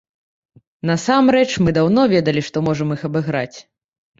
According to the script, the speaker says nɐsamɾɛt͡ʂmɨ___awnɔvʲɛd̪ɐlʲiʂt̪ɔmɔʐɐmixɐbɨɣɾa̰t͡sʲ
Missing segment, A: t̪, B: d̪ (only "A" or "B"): B